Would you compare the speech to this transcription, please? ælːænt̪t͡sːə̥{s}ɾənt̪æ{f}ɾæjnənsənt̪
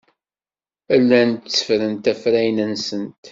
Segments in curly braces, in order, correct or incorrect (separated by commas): incorrect, correct